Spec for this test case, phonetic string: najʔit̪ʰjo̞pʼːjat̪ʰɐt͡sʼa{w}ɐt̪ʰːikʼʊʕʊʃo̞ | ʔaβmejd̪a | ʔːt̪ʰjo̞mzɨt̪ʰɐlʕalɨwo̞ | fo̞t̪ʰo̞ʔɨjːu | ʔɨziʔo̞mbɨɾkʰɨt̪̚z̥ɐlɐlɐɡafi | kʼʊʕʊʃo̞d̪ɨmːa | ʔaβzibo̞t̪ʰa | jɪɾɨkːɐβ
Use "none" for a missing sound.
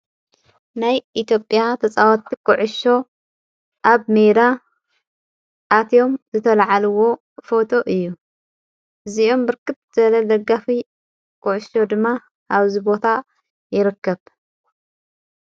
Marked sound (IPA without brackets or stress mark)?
w